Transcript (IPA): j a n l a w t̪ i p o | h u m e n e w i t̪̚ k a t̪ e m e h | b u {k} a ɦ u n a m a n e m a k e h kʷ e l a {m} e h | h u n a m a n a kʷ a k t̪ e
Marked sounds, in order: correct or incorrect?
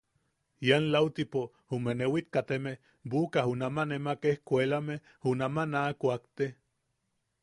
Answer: correct, correct

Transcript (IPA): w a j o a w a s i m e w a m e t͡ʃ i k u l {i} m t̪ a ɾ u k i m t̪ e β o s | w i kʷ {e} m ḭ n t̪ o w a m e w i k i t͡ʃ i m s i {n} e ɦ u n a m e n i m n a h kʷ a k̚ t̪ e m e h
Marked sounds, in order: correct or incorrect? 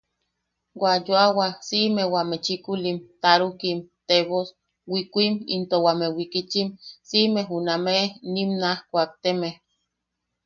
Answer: correct, incorrect: i, incorrect: m

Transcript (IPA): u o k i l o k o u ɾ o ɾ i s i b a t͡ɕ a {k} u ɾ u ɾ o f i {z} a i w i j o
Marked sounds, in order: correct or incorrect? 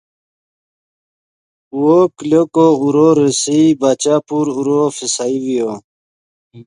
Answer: incorrect: p, incorrect: s

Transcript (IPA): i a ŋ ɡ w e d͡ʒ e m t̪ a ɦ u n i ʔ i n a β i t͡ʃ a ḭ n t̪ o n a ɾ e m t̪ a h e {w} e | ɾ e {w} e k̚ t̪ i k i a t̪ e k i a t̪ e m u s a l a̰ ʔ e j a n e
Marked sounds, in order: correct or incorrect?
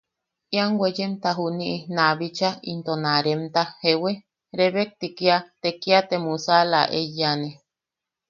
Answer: correct, incorrect: β

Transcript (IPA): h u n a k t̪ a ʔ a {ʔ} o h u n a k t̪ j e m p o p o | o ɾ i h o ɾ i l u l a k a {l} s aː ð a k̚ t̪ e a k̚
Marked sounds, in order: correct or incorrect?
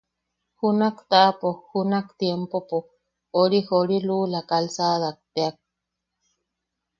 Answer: incorrect: p, correct

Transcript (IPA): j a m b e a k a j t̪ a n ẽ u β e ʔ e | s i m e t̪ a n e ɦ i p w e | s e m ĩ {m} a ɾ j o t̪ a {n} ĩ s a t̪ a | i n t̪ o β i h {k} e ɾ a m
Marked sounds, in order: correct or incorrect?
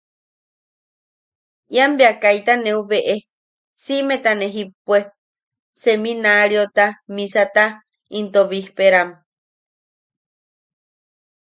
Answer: incorrect: n, incorrect: m, incorrect: p

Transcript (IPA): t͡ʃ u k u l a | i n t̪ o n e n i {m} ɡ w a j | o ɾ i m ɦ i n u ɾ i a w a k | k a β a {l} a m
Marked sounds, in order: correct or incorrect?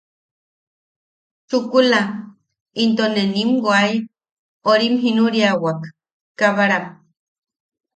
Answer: correct, incorrect: ɾ

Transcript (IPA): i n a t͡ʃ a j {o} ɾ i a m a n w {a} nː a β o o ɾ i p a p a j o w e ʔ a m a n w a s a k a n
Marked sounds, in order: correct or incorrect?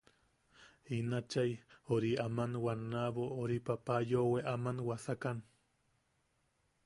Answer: correct, correct

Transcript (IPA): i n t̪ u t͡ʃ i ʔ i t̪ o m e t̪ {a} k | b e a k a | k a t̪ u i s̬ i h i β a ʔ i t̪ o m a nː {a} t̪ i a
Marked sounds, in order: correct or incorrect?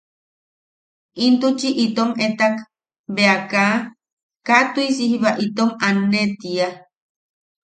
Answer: correct, incorrect: e

